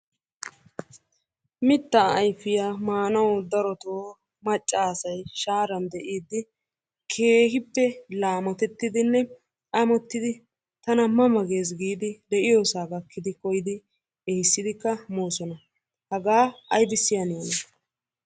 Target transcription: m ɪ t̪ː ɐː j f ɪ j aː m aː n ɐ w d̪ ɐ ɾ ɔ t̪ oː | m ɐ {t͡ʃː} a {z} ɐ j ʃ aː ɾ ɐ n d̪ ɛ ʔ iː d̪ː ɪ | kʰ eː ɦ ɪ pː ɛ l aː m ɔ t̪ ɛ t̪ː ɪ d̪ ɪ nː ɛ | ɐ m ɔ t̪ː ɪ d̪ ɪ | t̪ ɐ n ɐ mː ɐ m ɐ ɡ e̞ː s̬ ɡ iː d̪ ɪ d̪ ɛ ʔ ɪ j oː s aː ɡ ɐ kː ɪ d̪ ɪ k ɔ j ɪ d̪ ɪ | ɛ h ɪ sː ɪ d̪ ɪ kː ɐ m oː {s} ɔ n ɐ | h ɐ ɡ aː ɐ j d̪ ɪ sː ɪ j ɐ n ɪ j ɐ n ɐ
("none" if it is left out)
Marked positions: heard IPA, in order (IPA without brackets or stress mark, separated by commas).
t͡ʃʼː, s, s